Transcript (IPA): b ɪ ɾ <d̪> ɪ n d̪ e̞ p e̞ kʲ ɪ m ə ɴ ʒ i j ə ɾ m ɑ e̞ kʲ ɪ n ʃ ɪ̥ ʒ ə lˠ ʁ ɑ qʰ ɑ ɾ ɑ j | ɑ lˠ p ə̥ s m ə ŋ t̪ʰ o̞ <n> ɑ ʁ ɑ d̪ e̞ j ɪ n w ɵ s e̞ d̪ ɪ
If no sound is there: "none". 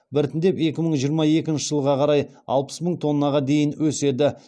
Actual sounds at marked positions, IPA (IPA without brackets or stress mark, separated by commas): t̪, nː